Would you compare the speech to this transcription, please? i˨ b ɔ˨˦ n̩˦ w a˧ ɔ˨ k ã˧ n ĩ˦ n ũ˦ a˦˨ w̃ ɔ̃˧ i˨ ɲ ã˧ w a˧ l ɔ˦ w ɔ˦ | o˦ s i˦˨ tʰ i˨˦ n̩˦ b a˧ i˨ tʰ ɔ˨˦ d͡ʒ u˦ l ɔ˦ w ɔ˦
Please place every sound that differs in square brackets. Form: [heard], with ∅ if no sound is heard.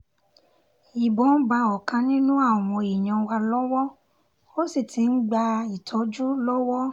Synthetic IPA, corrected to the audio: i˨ b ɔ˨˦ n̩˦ [b] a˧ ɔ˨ k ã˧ n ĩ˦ n ũ˦ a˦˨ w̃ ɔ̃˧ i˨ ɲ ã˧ w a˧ l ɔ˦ w ɔ˦ | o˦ s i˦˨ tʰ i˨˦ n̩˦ [ɡ͡b] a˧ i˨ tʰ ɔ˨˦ d͡ʒ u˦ l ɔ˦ w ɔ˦